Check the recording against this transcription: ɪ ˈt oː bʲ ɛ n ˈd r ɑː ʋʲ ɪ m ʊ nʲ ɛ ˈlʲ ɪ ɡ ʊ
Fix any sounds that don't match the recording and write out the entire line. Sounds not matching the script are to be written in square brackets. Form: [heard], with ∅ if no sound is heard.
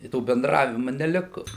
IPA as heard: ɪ ˈt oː bʲ ɛ n ˈd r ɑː ʋʲ ɪ m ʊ nʲ ɛ ˈlʲ ɪ [k] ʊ